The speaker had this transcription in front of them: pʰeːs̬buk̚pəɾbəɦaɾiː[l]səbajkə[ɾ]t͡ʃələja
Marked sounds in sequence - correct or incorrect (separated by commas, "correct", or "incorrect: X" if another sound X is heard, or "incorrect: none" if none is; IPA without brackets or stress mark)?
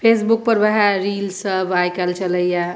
correct, incorrect: l